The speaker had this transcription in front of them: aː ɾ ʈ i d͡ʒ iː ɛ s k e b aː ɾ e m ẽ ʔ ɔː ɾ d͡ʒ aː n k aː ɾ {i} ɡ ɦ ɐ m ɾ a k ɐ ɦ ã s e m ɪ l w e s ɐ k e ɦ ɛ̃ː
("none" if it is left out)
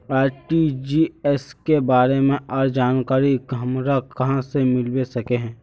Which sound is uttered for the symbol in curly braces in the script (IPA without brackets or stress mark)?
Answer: i